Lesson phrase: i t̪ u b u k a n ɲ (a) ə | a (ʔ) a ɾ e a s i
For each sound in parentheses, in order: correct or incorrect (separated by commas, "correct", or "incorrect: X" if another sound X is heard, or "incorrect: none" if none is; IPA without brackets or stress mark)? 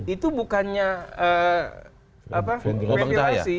correct, incorrect: p